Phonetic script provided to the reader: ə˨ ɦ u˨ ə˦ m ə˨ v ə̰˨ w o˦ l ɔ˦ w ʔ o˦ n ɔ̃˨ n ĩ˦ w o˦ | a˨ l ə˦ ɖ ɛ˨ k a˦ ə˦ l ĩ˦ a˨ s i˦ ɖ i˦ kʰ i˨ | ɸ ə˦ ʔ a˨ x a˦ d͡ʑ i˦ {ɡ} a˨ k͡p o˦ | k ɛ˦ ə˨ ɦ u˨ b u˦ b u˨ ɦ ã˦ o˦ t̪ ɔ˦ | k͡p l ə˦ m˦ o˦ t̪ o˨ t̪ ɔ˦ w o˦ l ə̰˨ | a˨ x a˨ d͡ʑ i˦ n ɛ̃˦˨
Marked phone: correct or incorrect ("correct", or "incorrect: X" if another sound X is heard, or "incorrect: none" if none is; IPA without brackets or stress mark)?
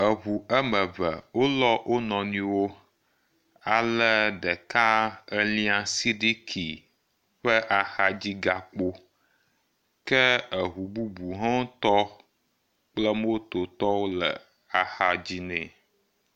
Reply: correct